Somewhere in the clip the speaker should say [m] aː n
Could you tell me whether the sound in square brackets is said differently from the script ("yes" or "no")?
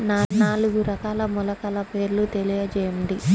yes